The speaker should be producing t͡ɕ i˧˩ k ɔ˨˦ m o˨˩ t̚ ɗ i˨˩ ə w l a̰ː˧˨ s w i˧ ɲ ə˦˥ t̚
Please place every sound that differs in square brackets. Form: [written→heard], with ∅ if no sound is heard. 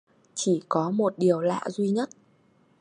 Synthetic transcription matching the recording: t͡ɕ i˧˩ k ɔ˨˦ m o˨˩ t̚ ɗ i˨˩ ə w l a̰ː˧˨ [s→z] w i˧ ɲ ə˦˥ t̚